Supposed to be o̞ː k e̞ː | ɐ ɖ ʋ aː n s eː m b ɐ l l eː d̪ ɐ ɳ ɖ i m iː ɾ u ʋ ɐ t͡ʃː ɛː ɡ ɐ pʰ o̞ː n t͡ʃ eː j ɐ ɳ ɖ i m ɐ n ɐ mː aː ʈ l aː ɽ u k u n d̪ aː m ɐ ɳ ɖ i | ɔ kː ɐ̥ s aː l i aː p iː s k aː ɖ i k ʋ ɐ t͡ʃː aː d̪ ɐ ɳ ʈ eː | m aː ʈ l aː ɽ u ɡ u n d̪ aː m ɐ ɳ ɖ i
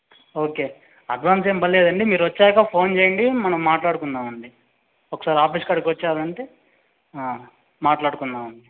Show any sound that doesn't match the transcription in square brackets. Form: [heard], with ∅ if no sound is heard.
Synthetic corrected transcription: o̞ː k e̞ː | ɐ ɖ ʋ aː n s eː m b ɐ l l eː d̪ ɐ ɳ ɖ i m iː ɾ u ʋ ɐ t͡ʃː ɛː [k] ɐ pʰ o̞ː n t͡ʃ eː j ɐ ɳ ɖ i m ɐ n ɐ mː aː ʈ l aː ɽ u k u n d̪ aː m ɐ ɳ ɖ i | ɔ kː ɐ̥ s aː [ɾ] i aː p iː s k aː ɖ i k ʋ ɐ t͡ʃː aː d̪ ɐ ɳ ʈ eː | m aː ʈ l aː ɽ u [k] u n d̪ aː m ɐ ɳ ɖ i